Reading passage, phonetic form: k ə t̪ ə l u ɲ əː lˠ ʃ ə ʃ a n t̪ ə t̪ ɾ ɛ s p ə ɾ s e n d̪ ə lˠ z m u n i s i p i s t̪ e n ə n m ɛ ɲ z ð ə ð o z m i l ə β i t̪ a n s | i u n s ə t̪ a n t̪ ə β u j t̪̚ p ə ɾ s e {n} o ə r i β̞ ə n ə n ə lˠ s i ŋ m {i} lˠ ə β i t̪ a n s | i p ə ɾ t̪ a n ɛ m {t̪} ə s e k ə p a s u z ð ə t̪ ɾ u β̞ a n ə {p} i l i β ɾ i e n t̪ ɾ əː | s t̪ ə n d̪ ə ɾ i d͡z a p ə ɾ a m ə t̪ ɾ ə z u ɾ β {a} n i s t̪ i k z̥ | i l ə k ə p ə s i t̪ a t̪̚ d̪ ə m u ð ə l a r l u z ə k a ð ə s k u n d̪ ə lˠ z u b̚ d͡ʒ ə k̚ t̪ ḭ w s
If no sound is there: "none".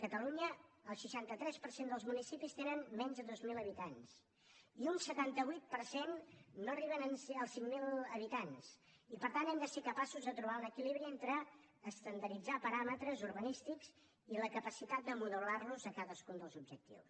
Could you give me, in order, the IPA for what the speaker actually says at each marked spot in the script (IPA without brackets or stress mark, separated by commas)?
nː, i, d̪, k, ə